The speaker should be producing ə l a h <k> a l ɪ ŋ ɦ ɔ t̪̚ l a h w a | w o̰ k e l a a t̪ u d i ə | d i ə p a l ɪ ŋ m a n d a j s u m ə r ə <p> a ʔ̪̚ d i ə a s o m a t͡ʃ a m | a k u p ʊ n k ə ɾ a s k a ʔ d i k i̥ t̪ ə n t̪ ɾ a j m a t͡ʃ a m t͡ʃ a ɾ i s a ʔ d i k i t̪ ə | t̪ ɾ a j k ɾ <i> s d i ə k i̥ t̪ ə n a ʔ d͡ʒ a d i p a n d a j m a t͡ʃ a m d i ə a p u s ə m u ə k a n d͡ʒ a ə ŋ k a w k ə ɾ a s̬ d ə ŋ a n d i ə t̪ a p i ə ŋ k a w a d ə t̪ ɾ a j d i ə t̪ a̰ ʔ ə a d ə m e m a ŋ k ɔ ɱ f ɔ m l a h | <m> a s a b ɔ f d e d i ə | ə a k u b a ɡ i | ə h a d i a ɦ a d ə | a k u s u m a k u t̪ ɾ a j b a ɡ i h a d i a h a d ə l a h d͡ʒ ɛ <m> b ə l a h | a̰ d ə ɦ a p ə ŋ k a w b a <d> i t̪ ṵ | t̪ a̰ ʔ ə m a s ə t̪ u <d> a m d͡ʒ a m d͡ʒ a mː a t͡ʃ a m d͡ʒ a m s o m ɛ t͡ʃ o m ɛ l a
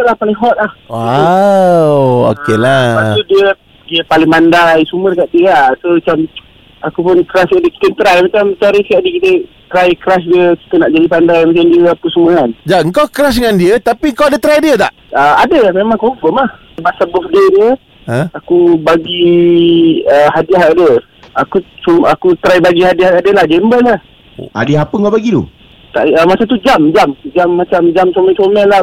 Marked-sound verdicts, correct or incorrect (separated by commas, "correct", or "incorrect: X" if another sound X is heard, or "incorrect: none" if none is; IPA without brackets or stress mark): incorrect: p, incorrect: k, incorrect: a, incorrect: b, correct, incorrect: ɡ, incorrect: d͡ʒ